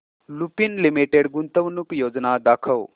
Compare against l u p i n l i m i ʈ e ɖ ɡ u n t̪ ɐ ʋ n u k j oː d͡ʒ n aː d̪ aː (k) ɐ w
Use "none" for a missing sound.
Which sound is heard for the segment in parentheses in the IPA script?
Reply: kʰ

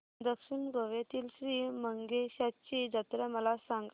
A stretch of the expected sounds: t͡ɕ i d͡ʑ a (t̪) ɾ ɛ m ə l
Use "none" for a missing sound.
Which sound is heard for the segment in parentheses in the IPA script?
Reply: t̪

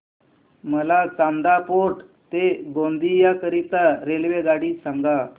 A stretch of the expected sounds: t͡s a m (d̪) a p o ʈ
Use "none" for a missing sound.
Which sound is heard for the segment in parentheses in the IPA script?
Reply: d̪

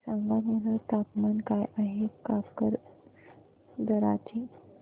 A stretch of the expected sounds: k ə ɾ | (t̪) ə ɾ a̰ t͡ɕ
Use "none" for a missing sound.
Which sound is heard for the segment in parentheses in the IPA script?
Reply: d̪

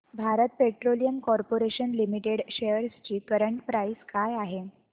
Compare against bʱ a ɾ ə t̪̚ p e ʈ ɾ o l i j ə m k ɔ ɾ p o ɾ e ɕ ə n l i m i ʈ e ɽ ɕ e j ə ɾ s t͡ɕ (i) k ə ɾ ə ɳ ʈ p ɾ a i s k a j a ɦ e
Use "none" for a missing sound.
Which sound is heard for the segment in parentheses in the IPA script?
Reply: iː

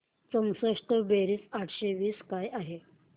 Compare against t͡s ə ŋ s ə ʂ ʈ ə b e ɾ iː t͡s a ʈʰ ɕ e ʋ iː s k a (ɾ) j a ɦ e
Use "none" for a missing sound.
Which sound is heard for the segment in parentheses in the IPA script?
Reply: none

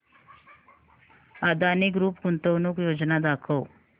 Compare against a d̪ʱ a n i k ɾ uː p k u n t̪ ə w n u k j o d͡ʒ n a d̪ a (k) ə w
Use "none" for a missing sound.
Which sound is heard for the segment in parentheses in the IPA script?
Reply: kʰ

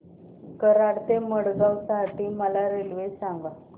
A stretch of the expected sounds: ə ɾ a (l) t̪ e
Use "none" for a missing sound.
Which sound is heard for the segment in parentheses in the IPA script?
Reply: ɽ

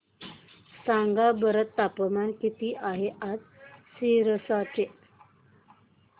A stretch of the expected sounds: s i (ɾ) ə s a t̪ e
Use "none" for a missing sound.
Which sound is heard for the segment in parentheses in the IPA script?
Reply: ɾ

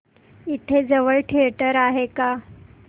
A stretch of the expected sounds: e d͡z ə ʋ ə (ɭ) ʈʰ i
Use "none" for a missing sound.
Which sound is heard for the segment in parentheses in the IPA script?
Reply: ɭ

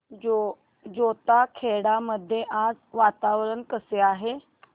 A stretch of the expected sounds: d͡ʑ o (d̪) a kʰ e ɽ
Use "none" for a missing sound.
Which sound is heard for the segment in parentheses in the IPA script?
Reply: t̪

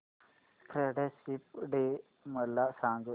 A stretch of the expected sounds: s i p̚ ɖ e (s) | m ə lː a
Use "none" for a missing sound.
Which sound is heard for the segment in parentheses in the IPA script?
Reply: none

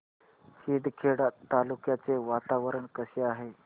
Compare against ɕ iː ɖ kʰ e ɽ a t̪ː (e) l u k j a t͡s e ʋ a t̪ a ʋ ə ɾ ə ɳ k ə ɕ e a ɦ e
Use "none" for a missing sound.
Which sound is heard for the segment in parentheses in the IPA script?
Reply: a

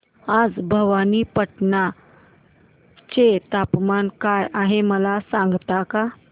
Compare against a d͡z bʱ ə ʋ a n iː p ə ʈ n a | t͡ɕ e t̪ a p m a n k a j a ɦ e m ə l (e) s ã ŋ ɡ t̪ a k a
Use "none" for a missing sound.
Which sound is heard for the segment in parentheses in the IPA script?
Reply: a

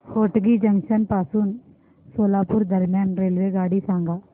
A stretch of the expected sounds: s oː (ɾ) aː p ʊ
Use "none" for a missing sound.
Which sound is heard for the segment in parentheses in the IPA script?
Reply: l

